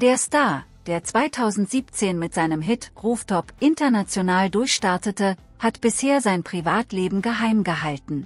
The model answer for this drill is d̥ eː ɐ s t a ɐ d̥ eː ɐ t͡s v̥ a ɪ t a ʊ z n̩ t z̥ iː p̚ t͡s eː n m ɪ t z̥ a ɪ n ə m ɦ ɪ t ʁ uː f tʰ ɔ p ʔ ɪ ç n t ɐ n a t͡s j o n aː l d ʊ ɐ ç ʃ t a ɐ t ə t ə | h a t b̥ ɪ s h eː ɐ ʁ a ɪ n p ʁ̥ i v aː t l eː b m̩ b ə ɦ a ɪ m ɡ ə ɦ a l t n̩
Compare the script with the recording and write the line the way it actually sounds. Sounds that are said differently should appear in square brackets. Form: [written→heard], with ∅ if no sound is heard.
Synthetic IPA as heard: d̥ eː ɐ s t a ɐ d̥ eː ɐ t͡s v̥ a ɪ [t→tʰ] a ʊ z n̩ t z̥ iː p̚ t͡s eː n m ɪ t z̥ a ɪ n ə m ɦ ɪ t ʁ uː f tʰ ɔ p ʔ ɪ [ç→∅] n t ɐ n a t͡s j o n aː l d ʊ ɐ ç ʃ t a ɐ t ə t ə | h a t b̥ ɪ s h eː ɐ [ʁ→z] a ɪ n p ʁ̥ i v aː t l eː b m̩ [b→ɡ] ə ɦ a ɪ m ɡ ə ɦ a l t n̩